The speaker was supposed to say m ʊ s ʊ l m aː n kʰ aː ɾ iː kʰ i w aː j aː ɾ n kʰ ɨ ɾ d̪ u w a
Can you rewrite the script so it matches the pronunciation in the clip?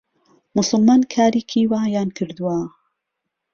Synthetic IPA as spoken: m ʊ s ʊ l m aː n kʰ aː ɾ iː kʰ i w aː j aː n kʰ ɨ ɾ d̪ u w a